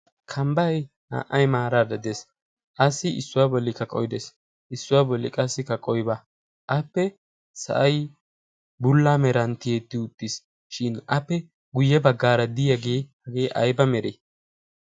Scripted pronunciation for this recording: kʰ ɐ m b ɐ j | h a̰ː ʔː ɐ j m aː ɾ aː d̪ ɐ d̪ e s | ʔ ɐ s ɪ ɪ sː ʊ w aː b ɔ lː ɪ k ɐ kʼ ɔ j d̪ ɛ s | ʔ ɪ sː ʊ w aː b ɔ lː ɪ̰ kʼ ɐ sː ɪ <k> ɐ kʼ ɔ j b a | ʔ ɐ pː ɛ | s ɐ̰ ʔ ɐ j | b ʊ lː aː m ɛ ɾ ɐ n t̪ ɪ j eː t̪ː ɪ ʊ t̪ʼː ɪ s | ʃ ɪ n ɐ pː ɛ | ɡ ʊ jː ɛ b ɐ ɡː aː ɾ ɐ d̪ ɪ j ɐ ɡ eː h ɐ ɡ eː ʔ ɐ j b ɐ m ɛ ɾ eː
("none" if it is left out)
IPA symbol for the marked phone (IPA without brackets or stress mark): k